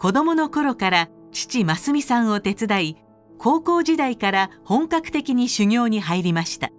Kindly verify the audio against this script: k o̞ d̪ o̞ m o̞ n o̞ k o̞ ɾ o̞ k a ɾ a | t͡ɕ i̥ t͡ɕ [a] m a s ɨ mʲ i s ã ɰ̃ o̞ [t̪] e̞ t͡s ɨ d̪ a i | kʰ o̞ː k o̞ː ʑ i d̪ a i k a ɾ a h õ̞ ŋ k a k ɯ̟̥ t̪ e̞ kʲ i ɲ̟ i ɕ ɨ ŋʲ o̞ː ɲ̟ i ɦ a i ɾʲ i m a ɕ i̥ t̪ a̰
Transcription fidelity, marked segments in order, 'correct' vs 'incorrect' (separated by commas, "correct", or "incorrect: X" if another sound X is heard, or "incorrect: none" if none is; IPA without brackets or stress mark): incorrect: i, correct